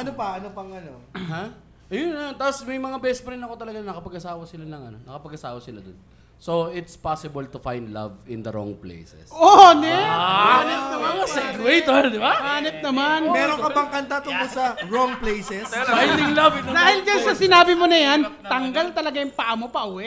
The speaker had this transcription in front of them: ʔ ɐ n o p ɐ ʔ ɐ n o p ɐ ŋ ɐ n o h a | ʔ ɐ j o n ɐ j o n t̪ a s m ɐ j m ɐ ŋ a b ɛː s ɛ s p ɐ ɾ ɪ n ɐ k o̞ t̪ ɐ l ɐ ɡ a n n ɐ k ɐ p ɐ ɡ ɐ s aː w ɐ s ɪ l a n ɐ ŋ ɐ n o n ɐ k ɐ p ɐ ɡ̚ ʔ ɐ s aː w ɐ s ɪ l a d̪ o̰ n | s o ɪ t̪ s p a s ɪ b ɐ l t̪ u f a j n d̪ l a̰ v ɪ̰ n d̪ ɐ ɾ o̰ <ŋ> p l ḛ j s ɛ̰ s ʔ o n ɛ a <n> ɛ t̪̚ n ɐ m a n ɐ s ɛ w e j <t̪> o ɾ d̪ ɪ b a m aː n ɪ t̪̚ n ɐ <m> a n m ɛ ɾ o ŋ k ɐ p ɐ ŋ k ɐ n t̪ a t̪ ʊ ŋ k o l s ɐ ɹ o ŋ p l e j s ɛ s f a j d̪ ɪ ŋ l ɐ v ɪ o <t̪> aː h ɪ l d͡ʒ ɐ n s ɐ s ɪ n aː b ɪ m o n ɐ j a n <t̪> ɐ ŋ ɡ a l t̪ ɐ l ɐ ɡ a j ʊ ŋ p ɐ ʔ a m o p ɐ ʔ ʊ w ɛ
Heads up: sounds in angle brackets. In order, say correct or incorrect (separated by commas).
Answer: correct, correct, correct, correct, incorrect, correct